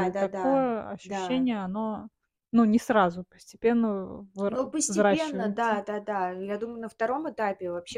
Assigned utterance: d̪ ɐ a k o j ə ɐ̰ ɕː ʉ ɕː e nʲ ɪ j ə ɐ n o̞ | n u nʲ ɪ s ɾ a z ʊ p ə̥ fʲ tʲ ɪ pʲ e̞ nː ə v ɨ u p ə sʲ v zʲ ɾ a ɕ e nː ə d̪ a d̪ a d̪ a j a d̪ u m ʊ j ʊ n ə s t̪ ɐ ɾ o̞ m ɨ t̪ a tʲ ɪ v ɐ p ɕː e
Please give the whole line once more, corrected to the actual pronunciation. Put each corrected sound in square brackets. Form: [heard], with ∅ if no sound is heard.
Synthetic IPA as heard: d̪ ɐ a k o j ə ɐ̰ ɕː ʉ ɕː e nʲ ɪ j ə ɐ n o̞ | n u nʲ ɪ s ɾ a z ʊ p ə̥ [sʲ] tʲ ɪ pʲ e̞ nː ə v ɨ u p ə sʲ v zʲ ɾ a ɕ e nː ə d̪ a d̪ a d̪ a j a d̪ u m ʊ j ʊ n ə [f] t̪ ɐ ɾ o̞ m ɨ t̪ a [pʲ] ɪ v ɐ p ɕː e